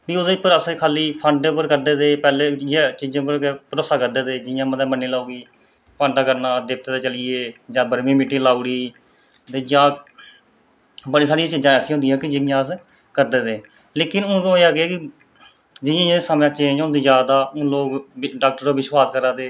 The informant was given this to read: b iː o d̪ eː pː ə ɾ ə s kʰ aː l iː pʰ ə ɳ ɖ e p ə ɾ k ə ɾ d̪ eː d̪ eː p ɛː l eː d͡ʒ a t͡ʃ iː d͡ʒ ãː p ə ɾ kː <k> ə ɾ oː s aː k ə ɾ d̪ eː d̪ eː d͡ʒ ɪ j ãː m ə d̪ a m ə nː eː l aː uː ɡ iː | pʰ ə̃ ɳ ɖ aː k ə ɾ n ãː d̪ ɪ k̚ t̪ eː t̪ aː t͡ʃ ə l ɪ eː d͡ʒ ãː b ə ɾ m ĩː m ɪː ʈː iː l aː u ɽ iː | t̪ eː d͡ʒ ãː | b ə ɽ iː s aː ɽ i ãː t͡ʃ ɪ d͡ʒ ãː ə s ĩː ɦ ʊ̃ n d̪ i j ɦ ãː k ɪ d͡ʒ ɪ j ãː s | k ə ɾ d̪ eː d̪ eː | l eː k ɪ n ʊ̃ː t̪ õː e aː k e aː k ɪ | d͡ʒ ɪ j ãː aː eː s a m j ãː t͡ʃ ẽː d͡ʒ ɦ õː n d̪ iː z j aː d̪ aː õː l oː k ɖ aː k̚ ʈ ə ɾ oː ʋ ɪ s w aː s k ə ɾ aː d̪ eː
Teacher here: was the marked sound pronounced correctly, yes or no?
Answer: no